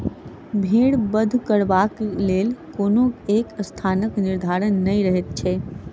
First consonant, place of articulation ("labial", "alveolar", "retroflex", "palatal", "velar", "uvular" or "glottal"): labial